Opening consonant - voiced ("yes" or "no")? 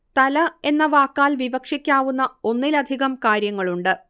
no